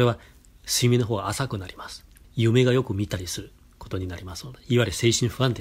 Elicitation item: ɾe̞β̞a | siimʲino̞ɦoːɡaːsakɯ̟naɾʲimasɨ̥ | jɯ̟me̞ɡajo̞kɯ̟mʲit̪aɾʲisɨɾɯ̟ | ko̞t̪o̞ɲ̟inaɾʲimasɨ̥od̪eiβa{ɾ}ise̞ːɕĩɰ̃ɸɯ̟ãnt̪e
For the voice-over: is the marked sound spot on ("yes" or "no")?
yes